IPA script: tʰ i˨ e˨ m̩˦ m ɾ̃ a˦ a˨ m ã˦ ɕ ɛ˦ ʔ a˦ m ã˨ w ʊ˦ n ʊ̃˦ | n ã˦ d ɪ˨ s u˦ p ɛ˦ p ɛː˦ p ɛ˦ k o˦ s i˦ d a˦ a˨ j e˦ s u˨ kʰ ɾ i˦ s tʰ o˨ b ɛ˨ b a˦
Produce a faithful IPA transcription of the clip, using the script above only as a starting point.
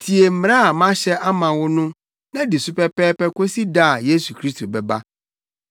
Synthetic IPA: tʰ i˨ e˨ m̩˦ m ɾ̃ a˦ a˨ m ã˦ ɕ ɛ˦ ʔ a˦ m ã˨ w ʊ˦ n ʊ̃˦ | n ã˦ d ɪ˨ s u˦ p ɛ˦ p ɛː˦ p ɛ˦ k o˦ s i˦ d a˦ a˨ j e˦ s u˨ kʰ ɾ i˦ s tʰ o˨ b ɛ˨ b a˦